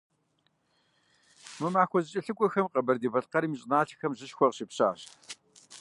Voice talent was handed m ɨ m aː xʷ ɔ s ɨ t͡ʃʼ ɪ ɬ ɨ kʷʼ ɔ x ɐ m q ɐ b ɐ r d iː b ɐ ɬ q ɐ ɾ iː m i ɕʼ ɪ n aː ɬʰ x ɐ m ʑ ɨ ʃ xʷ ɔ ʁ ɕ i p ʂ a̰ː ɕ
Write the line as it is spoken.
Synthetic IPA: m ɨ m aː xʷ ɔ z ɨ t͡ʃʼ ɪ ɬ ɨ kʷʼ ɔ x ɐ m q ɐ b ɐ r d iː b ɐ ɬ q ɐ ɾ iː m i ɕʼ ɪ n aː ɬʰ x ɐ m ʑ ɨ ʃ xʷ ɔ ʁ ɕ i p ɕ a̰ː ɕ